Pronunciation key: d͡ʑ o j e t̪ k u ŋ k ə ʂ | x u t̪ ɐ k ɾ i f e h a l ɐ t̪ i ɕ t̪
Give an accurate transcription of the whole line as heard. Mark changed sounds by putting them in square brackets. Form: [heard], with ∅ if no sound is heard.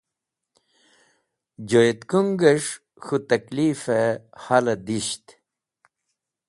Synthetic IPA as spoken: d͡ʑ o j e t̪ k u ŋ [ɡ] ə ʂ | x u t̪ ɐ k [l] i f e h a l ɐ [d̪] i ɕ t̪